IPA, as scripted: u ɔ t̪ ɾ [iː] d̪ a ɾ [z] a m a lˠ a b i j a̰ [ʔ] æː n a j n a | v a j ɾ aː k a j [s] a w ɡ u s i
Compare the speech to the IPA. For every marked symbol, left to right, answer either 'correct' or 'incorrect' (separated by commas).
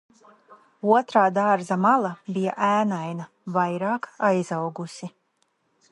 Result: incorrect, correct, correct, incorrect